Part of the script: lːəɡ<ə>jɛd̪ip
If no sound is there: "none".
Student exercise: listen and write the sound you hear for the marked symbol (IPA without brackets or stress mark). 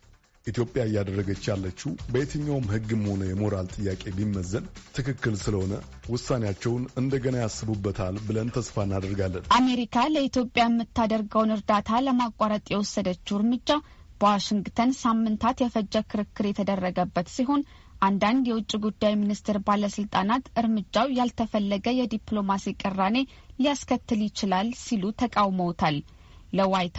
ə